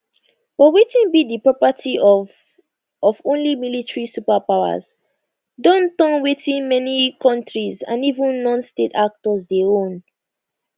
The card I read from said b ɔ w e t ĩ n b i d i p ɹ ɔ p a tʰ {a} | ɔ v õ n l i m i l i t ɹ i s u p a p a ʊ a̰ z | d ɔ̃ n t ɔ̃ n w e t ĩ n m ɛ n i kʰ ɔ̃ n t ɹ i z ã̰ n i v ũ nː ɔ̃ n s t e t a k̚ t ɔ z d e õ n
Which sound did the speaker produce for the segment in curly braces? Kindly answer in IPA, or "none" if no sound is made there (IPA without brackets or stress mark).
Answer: i